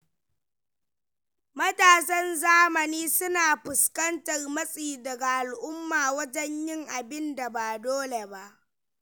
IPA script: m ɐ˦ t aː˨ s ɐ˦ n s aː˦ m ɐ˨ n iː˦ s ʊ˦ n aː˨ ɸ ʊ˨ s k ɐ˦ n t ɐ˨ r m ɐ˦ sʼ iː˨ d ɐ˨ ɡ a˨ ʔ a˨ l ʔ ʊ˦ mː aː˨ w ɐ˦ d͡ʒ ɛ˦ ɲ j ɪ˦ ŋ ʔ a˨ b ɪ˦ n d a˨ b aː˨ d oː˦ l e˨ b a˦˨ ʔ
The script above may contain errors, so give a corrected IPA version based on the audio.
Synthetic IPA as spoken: m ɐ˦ t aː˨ s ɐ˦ n z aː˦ m ɐ˨ n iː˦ s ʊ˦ n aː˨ ɸ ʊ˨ s k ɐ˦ n t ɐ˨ r m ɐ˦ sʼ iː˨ d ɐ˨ ɡ a˨ ʔ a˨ l ʔ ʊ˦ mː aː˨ w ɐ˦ d͡ʒ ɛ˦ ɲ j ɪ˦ ŋ ʔ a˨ b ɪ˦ n d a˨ b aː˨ d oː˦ l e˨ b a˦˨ ʔ